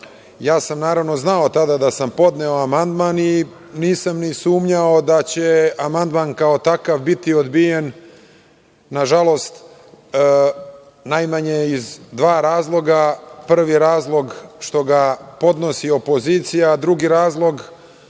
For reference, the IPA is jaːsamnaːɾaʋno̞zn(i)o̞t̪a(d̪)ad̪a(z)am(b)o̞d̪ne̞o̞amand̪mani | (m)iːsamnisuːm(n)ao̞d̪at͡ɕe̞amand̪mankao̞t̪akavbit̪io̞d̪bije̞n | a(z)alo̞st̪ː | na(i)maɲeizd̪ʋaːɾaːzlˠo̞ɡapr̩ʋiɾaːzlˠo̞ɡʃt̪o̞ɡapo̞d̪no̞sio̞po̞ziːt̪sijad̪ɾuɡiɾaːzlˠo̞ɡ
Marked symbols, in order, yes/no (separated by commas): no, yes, no, no, no, no, no, no